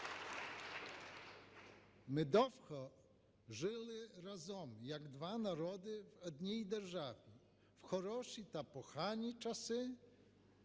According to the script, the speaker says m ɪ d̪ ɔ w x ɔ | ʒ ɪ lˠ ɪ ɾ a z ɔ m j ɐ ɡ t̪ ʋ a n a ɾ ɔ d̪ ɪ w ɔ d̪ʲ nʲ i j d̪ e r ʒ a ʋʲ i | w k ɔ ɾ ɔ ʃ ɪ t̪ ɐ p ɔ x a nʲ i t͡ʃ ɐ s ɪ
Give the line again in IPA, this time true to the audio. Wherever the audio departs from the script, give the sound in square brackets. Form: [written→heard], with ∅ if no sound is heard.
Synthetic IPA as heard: m ɪ d̪ ɔ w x ɔ | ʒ ɪ lˠ ɪ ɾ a z ɔ m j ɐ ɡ [t̪→d̪] ʋ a n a ɾ ɔ d̪ ɪ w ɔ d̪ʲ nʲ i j d̪ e r ʒ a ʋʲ i | w [k→x] ɔ ɾ ɔ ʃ [ɪ→i] t̪ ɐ p ɔ x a nʲ i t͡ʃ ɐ s ɪ

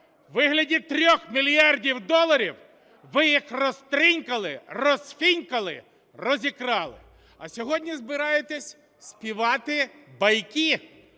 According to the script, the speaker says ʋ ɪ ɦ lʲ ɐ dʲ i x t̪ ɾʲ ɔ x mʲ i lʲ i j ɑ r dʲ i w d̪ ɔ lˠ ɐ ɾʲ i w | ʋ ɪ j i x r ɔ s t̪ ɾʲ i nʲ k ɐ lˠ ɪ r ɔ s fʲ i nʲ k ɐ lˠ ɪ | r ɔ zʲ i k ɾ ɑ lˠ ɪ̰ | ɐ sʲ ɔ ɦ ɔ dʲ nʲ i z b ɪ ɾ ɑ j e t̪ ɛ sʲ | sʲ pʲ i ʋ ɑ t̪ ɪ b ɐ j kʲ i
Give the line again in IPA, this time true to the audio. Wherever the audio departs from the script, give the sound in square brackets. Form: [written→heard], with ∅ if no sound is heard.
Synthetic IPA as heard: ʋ ɪ ɦ lʲ ɐ dʲ i [x→∅] t̪ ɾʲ ɔ x mʲ i lʲ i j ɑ r dʲ i w d̪ ɔ lˠ ɐ ɾʲ i w | ʋ ɪ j i x r ɔ s t̪ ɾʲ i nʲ k ɐ lˠ ɪ r ɔ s fʲ i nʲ k ɐ lˠ ɪ | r ɔ zʲ i k ɾ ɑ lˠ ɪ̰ | ɐ sʲ ɔ ɦ ɔ dʲ nʲ i z b ɪ ɾ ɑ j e t̪ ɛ sʲ | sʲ pʲ i ʋ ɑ t̪ ɪ b ɐ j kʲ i

